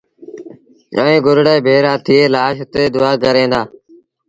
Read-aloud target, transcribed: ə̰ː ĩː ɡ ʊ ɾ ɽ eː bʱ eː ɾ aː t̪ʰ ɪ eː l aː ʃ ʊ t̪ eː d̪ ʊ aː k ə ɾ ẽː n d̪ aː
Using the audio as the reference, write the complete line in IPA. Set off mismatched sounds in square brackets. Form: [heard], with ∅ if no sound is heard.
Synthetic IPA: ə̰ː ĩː ɡ ʊ ɾ ɽ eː bʱ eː ɾ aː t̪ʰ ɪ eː l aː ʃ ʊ t̪ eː d̪ ʊ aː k ə ɾ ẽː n d̪ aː